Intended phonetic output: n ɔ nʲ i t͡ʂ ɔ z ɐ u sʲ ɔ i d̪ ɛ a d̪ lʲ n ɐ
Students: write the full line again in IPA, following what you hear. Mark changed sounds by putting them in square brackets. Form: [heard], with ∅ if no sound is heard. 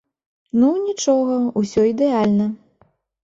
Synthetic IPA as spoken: n [u] nʲ i t͡ʂ ɔ [ɣ] ɐ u sʲ ɔ i d̪ ɛ a [∅] lʲ n ɐ